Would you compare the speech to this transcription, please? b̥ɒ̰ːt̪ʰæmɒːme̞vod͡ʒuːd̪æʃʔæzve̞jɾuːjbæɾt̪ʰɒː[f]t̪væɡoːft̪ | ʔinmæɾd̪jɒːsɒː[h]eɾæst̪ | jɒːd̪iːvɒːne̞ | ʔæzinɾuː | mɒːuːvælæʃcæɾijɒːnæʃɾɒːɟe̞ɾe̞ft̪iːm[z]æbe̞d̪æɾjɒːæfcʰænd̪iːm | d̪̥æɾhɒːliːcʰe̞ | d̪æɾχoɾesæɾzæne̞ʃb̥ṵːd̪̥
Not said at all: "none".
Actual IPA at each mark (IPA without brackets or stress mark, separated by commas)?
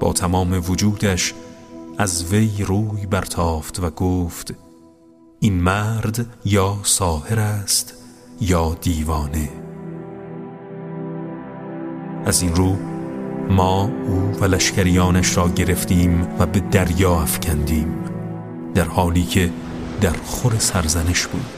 f, h, v